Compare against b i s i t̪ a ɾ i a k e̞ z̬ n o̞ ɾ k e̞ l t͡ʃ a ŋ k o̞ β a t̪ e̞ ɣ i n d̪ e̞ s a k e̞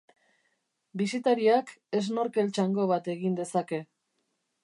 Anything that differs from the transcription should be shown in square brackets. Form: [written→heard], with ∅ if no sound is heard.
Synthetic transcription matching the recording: b i s i t̪ a ɾ i a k e̞ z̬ n o̞ ɾ k e̞ l t͡ʃ a ŋ [k→ɡ] o̞ β a t̪ e̞ ɣ i n d̪ e̞ s a k e̞